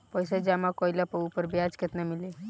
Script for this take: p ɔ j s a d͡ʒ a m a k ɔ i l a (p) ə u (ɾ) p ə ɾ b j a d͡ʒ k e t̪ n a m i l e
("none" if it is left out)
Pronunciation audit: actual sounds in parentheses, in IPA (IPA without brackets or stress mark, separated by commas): p, none